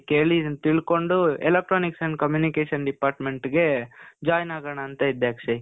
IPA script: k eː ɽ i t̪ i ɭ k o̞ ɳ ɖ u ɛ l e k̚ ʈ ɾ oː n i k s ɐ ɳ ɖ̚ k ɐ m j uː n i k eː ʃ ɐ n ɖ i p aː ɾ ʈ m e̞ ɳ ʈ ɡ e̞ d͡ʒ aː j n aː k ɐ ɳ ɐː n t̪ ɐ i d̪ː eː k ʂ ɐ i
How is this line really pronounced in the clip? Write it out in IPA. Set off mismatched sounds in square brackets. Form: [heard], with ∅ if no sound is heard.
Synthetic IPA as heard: k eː [ɭ] i t̪ i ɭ k o̞ ɳ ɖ u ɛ l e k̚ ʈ ɾ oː n i k s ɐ ɳ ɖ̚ k ɐ m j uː n i k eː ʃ ɐ n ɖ i p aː ɾ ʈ m e̞ ɳ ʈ ɡ e̞ d͡ʒ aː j n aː [ɡ] ɐ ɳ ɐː n t̪ ɐ i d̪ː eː k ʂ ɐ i